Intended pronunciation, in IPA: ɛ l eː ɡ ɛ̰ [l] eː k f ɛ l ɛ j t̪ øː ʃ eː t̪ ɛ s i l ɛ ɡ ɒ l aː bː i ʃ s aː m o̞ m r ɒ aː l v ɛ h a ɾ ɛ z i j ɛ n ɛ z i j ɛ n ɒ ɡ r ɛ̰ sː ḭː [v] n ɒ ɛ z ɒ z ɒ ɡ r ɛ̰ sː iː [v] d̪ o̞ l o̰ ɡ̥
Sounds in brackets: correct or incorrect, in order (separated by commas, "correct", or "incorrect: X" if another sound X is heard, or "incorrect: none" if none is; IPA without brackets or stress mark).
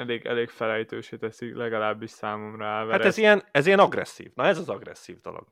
correct, correct, correct